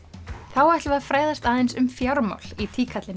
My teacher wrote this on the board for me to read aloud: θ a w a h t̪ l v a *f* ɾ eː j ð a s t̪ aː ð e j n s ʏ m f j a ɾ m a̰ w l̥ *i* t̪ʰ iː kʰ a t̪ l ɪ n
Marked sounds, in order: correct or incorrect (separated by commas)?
correct, correct